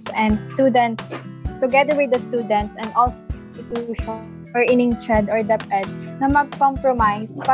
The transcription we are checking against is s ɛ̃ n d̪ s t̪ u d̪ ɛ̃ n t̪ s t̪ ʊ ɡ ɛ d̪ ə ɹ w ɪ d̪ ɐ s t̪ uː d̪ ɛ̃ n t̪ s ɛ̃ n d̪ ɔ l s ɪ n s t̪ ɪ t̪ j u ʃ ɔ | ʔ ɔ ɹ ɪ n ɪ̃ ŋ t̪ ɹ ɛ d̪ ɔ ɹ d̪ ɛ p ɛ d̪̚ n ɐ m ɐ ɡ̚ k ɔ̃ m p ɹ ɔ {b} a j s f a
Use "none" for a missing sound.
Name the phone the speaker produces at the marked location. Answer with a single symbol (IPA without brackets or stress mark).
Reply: m